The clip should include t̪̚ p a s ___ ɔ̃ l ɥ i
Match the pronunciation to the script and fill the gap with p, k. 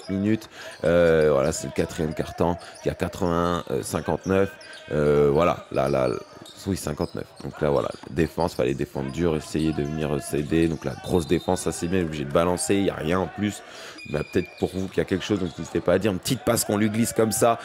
k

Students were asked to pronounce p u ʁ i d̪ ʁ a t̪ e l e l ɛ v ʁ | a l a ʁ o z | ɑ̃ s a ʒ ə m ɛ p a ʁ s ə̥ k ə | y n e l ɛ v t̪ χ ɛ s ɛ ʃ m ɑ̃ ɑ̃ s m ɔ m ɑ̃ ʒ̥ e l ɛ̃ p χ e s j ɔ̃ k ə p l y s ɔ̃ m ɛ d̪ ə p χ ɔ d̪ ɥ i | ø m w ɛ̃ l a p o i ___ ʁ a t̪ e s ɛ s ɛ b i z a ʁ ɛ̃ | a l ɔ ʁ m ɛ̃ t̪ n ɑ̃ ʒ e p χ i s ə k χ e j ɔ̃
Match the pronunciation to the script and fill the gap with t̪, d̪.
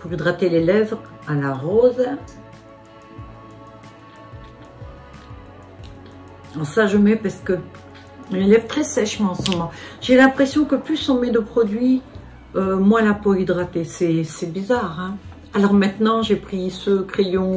d̪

